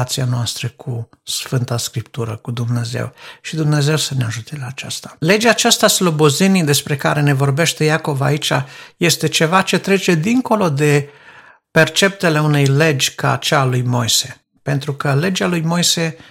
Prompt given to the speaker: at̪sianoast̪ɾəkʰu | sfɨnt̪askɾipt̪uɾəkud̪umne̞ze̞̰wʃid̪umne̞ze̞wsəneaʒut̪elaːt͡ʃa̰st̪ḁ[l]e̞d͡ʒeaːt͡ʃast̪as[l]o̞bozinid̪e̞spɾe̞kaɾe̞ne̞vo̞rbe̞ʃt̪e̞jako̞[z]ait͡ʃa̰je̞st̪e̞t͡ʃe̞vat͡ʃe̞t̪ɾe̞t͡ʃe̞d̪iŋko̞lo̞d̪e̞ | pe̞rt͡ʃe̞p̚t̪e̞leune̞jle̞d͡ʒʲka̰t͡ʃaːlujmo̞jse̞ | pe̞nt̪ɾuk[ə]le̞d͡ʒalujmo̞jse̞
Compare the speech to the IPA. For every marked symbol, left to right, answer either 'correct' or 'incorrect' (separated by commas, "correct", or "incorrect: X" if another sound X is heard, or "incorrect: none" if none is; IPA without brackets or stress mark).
correct, correct, incorrect: v, correct